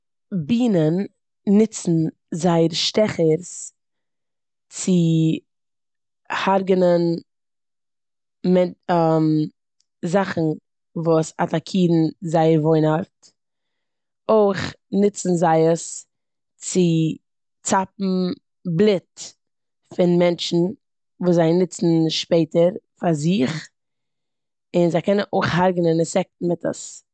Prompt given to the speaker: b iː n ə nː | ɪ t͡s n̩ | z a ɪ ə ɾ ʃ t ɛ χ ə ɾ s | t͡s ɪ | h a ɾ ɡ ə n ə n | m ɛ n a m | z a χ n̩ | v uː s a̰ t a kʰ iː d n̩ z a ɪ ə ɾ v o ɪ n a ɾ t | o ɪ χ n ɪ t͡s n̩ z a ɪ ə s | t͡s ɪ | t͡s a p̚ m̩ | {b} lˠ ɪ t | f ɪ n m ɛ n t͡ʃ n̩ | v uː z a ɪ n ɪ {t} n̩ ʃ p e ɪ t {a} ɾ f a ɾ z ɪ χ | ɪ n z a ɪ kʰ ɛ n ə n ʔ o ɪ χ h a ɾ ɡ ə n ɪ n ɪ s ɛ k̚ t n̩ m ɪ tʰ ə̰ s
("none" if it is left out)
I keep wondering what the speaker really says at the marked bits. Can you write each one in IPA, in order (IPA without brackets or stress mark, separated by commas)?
b, t͡s, ə